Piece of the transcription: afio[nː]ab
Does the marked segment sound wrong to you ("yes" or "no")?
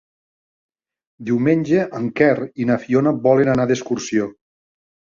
yes